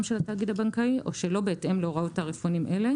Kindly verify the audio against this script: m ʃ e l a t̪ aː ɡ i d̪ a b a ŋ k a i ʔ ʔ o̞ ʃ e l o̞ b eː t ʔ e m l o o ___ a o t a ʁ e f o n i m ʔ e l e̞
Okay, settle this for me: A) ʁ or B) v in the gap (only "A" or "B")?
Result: A